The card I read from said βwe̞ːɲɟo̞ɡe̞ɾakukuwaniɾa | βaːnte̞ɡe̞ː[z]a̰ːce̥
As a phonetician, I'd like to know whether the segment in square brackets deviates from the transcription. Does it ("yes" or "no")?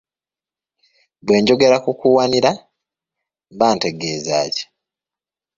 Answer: no